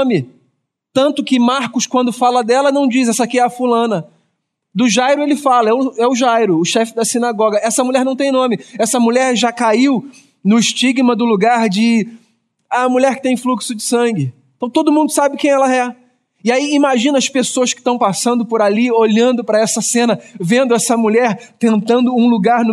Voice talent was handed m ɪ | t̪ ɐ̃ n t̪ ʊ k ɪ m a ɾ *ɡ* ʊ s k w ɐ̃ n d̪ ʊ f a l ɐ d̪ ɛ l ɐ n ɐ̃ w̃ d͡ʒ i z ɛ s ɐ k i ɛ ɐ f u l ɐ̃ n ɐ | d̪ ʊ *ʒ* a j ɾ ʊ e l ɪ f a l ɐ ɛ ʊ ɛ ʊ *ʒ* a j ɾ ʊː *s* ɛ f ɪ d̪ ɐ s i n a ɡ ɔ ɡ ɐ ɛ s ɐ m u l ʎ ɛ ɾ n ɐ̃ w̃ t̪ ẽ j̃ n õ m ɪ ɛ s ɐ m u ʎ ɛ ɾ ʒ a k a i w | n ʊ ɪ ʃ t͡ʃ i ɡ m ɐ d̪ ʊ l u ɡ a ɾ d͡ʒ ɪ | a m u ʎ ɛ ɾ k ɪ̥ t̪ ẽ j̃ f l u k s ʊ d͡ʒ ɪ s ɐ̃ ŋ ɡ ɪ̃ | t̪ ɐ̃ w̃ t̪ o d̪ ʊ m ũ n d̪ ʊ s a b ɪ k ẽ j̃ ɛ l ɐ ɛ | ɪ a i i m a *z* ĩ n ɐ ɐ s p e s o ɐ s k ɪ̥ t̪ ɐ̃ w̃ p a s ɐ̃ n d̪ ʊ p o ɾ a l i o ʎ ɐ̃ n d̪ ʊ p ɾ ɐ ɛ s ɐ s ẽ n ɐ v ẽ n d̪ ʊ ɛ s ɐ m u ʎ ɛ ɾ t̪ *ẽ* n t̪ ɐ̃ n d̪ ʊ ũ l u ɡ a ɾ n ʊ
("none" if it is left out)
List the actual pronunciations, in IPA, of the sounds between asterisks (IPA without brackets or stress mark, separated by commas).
k, ʒ, ʒ, ʃ, ʒ, ẽ